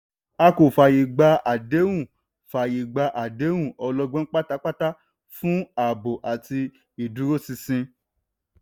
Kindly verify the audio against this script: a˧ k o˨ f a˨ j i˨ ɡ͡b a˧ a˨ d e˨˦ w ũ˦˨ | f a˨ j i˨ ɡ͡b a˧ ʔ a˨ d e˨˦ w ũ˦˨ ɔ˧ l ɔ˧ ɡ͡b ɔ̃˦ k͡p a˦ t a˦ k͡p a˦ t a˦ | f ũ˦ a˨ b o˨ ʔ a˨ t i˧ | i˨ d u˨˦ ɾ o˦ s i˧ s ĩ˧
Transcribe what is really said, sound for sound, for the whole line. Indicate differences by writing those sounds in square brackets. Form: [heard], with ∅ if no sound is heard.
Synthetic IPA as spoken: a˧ k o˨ f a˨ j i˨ ɡ͡b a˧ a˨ d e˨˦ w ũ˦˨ | f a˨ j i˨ ɡ͡b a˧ ʔ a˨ d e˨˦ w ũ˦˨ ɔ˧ l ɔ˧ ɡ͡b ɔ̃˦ k͡p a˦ t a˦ k͡p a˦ t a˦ | f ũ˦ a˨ b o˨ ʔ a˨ t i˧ | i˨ d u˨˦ ɾ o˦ s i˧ s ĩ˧

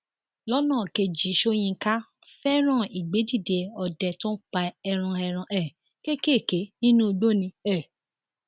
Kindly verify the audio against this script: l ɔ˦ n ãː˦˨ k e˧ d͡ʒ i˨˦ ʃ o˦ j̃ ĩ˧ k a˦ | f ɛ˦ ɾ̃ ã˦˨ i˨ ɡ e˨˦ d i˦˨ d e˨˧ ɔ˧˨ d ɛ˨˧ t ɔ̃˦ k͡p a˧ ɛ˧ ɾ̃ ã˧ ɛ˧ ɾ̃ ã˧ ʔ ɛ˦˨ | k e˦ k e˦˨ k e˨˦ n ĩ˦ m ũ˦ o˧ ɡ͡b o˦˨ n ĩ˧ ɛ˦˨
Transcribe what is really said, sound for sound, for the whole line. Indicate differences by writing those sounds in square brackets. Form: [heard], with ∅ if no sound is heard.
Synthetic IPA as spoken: l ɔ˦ n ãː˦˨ k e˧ d͡ʒ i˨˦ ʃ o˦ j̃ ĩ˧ k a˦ | f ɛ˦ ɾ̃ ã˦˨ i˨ [ɡ͡b] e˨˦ d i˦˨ d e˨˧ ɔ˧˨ d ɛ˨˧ t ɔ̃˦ k͡p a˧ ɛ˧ ɾ̃ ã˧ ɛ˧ ɾ̃ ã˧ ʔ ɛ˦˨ | k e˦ k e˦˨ k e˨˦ n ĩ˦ [n] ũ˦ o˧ ɡ͡b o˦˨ n ĩ˧ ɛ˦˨

